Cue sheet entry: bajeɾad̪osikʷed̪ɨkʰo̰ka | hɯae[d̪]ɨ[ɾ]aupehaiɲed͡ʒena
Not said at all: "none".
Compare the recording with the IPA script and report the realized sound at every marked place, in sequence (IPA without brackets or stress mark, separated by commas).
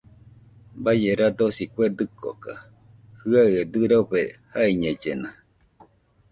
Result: d̪, ɾ